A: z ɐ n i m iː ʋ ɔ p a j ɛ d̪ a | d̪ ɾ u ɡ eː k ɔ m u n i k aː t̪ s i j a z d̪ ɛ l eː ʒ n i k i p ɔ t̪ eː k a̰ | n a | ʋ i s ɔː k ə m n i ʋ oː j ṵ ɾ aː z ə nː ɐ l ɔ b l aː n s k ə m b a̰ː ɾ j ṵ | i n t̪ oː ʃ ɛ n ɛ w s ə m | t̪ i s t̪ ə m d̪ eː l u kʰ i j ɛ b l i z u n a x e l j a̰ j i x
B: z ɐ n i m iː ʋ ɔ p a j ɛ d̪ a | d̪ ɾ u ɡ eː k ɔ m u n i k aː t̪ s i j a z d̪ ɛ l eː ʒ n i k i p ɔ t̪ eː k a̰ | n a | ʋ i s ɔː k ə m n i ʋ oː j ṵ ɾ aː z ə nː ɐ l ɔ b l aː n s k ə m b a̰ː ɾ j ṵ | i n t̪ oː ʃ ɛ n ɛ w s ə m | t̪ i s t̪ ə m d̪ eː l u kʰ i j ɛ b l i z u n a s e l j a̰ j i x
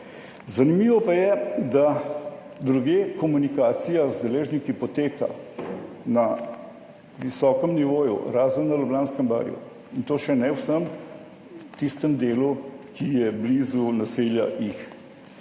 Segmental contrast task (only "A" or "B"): B